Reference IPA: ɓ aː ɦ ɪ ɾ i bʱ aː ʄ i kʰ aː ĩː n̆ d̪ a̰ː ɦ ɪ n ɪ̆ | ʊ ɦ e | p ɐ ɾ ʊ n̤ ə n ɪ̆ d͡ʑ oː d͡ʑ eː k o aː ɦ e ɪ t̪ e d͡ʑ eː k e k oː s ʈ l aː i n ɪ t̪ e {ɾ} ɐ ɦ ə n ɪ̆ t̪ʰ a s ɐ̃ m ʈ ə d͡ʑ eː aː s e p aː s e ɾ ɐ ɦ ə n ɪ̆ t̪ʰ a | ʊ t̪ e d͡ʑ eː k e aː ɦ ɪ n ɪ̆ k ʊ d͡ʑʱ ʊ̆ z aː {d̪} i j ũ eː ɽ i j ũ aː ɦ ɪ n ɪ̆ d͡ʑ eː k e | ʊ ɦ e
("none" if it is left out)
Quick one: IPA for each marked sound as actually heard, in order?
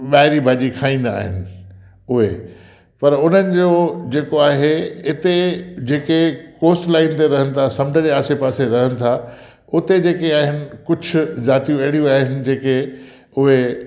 ɾ, t̪

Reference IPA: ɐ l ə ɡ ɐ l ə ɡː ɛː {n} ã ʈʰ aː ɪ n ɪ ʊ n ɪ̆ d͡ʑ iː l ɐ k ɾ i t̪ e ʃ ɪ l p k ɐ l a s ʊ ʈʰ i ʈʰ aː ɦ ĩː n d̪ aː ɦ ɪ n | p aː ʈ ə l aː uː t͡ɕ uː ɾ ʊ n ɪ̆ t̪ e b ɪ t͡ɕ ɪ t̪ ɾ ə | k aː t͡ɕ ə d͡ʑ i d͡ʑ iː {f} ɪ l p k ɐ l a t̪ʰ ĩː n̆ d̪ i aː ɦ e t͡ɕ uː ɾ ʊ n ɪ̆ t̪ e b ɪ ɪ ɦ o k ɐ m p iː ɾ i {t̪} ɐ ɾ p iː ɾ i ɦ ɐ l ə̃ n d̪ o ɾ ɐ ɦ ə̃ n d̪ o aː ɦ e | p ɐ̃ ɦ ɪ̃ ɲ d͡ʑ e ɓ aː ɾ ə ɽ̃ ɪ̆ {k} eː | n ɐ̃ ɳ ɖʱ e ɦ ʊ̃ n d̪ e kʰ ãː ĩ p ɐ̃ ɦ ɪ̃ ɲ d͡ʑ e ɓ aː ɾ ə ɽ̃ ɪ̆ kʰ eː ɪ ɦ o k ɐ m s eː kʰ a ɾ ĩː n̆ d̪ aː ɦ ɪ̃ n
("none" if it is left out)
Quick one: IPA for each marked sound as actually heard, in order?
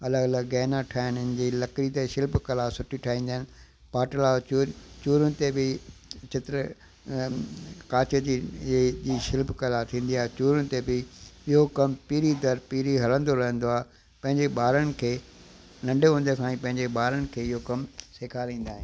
n, ʃ, d̪, kʰ

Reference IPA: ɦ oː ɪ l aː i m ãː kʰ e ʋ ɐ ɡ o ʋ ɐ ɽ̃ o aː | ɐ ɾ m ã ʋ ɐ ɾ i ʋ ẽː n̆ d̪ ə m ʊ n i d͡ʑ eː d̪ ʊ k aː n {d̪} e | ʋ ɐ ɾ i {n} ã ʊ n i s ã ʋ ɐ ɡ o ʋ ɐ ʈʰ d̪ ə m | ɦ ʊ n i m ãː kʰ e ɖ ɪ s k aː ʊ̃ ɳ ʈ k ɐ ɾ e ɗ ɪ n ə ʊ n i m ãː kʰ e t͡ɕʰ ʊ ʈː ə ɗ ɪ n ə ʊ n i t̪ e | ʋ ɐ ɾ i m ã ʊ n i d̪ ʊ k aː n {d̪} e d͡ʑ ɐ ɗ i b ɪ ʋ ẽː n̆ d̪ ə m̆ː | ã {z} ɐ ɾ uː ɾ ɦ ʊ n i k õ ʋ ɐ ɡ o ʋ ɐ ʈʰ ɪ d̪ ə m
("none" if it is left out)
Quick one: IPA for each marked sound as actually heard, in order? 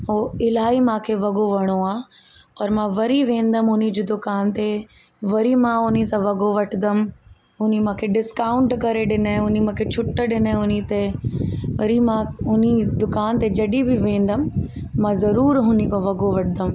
t̪, m, t̪, z

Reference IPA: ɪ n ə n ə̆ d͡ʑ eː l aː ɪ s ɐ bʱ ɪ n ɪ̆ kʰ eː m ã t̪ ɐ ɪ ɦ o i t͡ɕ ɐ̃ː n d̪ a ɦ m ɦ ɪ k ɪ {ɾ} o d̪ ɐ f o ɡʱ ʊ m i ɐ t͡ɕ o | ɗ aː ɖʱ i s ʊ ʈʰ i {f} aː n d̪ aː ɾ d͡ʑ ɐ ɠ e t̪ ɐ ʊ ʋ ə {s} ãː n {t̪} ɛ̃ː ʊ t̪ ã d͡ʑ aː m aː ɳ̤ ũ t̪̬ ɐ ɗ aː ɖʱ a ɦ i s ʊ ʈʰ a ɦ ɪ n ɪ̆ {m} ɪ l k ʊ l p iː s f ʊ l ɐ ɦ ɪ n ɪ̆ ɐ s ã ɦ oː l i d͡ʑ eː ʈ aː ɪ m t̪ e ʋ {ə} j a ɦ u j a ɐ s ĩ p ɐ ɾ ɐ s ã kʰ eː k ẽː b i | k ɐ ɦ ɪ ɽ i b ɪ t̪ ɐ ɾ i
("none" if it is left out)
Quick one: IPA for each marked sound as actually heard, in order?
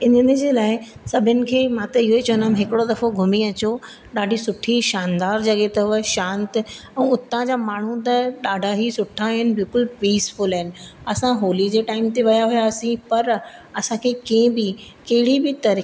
ɽ, ʃ, ʃ, t̪, b, ɐ

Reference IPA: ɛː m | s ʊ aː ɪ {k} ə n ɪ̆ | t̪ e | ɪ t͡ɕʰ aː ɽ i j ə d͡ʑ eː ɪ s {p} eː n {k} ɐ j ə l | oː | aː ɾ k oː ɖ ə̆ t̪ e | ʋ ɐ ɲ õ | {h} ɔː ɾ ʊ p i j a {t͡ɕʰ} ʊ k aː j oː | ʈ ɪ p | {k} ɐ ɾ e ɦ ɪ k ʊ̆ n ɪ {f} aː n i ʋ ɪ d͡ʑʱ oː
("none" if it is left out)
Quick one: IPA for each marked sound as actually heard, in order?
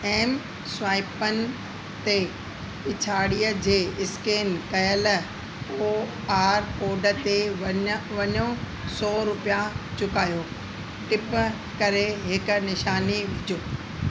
p, k, k, s, t͡ɕ, k, ʃ

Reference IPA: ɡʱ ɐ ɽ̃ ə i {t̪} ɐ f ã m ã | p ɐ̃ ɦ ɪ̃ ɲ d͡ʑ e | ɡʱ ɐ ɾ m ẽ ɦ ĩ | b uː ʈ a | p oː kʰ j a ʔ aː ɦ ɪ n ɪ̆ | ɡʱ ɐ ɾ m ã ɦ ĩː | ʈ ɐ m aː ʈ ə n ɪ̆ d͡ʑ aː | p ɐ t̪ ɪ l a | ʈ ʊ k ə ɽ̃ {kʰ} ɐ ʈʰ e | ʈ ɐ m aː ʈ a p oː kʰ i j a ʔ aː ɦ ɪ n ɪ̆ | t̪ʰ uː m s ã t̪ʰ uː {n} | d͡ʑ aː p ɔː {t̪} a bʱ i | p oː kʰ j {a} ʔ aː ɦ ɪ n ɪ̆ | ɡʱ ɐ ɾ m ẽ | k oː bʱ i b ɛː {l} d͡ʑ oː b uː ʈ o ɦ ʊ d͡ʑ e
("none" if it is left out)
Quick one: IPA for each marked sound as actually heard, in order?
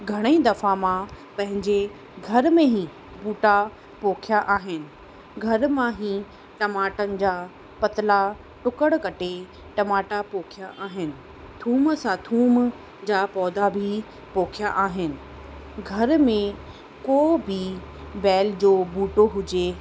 d̪, k, m, d̪, a, l

